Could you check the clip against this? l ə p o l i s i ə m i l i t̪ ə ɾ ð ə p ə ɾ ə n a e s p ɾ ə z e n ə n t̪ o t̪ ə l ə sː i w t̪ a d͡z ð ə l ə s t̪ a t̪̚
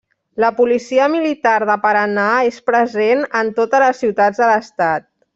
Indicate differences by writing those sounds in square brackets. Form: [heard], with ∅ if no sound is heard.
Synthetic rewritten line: l ə p [u] l i s i ə m i l i t̪ [a] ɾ ð ə p ə ɾ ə n a e s p ɾ ə z e n ə n t̪ o t̪ ə l ə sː i w t̪ a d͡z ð ə l ə s t̪ a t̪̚